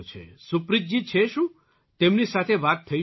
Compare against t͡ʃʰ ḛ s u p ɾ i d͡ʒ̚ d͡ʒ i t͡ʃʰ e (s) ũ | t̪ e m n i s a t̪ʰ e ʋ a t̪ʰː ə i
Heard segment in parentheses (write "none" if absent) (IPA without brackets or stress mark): ʃ